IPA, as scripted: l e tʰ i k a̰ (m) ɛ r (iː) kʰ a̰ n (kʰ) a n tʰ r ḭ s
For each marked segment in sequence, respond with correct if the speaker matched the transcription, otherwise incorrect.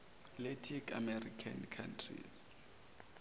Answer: correct, incorrect: i, correct

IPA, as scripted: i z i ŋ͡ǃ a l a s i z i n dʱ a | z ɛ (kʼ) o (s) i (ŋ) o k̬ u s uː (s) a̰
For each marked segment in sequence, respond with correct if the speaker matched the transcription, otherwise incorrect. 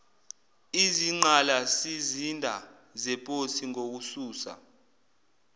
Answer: incorrect: pʼ, correct, correct, correct

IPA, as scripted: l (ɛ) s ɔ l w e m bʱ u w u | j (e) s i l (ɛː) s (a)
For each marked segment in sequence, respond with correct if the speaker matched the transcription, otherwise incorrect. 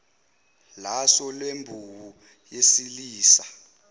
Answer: incorrect: a, correct, incorrect: iː, correct

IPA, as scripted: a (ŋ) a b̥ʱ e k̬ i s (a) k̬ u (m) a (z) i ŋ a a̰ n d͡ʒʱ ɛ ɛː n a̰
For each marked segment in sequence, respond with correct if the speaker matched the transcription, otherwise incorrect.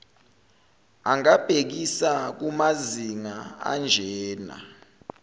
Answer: correct, correct, correct, correct

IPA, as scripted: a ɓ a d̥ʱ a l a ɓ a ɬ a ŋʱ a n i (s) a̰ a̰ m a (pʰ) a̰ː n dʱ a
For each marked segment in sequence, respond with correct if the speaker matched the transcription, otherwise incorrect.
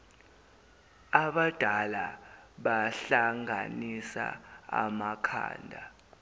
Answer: correct, incorrect: kʰ

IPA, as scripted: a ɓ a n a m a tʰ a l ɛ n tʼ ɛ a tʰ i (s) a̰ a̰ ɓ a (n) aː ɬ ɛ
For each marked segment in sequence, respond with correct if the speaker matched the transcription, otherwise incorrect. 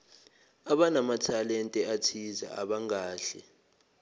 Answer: incorrect: z, incorrect: ŋ

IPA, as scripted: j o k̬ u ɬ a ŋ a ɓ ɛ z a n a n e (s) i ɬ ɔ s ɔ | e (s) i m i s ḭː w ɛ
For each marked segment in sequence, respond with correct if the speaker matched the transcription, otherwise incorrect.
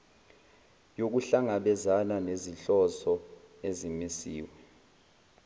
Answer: incorrect: z, incorrect: z

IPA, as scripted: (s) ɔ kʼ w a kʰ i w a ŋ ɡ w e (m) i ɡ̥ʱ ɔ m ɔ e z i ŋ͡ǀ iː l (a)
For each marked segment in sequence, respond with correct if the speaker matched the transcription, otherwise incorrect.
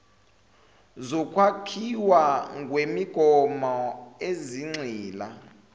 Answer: incorrect: z, correct, correct

